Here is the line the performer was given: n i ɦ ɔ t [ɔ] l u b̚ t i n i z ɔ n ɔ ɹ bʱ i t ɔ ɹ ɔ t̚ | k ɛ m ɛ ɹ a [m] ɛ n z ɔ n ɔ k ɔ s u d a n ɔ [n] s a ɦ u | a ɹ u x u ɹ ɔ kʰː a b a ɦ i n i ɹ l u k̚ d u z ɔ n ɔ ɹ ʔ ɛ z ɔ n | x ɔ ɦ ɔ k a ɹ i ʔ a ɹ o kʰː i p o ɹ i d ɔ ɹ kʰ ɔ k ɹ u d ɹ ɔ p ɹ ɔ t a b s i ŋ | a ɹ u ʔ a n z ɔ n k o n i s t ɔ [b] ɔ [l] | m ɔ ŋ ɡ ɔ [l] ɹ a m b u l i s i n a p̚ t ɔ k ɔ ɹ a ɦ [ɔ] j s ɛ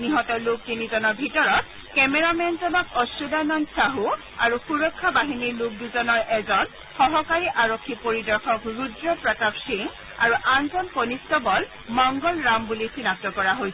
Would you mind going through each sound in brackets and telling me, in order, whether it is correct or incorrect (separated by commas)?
correct, correct, correct, correct, correct, correct, incorrect